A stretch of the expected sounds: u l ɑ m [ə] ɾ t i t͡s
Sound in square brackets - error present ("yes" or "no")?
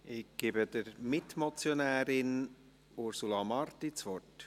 yes